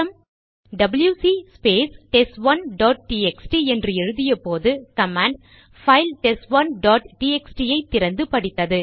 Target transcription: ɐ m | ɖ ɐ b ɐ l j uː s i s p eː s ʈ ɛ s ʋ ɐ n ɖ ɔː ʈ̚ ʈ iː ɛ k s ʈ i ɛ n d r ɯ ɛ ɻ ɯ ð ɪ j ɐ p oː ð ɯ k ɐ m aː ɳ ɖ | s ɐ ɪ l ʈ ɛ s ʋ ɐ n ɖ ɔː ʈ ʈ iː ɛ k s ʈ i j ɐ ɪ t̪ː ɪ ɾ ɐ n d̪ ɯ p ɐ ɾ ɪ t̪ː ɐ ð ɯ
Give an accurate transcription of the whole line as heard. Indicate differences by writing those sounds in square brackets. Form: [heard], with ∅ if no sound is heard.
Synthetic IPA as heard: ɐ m | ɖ ɐ b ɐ l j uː s i s p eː s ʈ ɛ s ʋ ɐ n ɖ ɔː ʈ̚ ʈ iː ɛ k s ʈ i ɛ n d r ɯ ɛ ɻ ɯ ð ɪ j ɐ p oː ð ɯ k ɐ m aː ɳ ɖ | [f] ɐ ɪ l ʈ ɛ s ʋ ɐ n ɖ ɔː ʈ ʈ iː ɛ k s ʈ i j ɐ ɪ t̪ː ɪ ɾ ɐ n d̪ ɯ p ɐ [ɽ] ɪ t̪ː ɐ ð ɯ